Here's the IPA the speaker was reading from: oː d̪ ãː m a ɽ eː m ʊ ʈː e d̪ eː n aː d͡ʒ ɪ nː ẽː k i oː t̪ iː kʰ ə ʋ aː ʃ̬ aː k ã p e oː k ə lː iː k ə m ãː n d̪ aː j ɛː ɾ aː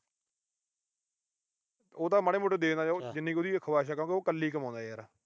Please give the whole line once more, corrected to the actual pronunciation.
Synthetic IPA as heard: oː t̪ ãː m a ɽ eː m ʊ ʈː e d̪ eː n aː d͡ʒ ɪ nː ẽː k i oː d̪ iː kʰ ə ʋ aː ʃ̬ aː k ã k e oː k ə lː iː k ə m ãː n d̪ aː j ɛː ɾ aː